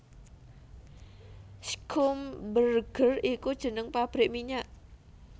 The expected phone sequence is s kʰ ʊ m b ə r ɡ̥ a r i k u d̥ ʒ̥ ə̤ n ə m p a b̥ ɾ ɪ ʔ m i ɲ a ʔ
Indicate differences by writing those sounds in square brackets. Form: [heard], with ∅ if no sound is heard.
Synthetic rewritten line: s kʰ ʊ m b ə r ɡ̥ [ə] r i k u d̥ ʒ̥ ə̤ n ə [ŋ] p a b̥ ɾ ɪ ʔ m i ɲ a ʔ